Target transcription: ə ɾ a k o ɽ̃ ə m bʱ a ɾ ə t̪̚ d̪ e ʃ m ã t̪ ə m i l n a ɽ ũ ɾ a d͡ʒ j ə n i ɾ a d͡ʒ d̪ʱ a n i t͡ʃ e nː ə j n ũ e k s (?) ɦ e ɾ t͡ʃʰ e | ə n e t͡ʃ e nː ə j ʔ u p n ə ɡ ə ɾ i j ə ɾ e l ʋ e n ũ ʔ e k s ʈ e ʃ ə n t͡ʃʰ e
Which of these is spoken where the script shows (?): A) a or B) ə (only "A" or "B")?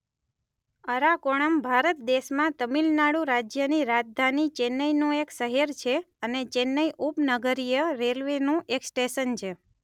B